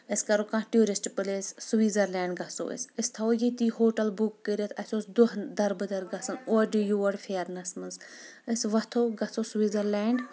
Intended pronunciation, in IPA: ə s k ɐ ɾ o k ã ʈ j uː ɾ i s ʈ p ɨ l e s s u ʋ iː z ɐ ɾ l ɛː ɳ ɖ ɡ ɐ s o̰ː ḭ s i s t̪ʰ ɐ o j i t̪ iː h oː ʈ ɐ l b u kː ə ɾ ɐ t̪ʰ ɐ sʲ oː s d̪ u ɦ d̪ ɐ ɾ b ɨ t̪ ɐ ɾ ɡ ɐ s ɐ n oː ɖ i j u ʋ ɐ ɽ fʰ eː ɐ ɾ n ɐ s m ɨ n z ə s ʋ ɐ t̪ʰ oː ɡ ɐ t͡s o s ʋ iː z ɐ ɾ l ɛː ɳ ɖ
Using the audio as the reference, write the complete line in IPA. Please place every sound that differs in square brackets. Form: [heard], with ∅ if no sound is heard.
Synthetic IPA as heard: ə s k ɐ ɾ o k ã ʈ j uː ɾ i s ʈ p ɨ l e s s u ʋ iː z ɐ ɾ l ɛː ɳ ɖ ɡ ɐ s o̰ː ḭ s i s t̪ʰ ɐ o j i t̪ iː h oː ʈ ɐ l b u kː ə ɾ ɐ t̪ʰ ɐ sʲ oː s d̪ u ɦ d̪ ɐ ɾ b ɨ [d̪] ɐ ɾ ɡ ɐ s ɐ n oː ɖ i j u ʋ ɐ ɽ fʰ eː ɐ ɾ n ɐ s m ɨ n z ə s ʋ ɐ t̪ʰ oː ɡ ɐ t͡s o s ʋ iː z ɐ ɾ l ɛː ɳ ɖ